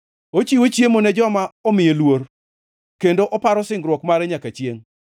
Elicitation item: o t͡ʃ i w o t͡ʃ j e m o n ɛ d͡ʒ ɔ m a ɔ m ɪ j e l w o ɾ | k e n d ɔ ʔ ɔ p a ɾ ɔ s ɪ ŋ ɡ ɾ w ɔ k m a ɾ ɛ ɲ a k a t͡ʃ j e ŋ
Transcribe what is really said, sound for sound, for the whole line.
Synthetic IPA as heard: o t͡ʃ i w o t͡ʃ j e m o n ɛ d͡ʒ ɔ m a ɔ m ɪ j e l w o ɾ | k e n d o ʔ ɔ p a ɾ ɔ s ɪ ŋ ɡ ɾ w ɔ k m a ɾ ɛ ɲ a k a t͡ʃ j e ŋ